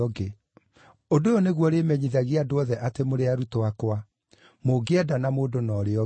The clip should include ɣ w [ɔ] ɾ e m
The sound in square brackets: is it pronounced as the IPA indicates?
yes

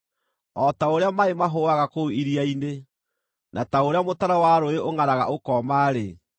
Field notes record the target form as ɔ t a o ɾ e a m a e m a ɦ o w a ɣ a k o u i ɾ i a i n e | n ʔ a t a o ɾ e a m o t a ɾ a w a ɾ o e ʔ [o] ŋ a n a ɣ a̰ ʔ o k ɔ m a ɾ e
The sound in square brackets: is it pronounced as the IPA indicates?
yes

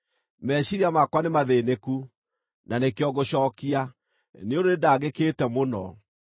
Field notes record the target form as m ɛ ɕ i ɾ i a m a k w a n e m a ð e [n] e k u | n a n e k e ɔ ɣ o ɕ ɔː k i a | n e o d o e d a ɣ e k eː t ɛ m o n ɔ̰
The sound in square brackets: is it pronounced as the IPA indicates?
yes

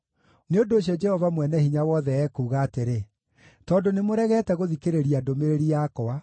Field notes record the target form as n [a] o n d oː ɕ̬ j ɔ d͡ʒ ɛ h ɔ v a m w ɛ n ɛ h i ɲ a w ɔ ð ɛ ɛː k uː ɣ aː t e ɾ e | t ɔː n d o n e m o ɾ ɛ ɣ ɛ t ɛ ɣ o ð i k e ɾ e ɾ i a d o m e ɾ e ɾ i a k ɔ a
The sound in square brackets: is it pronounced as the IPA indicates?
no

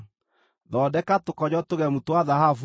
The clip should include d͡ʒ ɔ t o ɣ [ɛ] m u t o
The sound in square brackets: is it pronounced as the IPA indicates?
yes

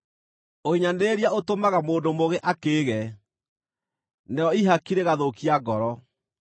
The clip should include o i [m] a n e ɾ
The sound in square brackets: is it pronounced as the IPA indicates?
no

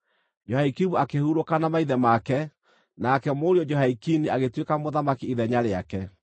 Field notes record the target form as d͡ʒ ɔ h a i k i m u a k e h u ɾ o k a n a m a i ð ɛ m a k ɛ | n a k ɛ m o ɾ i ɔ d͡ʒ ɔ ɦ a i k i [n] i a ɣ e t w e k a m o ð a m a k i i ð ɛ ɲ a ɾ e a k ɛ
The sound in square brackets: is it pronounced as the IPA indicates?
yes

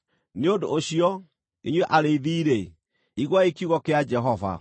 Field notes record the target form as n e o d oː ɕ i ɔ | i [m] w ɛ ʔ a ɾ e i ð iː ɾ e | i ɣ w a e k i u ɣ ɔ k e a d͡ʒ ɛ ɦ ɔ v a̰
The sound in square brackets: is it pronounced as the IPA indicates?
no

